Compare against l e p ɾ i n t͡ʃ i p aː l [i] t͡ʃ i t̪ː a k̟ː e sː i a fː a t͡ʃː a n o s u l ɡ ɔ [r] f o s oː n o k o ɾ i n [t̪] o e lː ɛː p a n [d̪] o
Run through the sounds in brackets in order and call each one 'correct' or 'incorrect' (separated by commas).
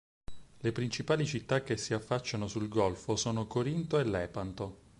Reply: correct, incorrect, correct, incorrect